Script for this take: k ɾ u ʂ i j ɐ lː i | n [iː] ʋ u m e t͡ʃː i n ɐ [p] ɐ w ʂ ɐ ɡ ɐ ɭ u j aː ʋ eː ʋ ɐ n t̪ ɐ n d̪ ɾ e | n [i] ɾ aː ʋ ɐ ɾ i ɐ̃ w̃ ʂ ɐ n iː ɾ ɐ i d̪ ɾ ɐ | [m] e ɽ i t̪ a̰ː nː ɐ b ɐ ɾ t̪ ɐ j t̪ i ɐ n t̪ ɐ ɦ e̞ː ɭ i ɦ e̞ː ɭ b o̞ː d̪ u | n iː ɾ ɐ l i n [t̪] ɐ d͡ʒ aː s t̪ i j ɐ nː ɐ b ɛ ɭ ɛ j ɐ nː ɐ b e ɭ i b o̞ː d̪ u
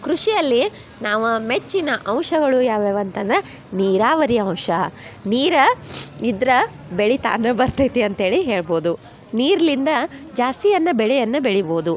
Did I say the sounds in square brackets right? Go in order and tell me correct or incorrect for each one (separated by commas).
incorrect, incorrect, incorrect, incorrect, incorrect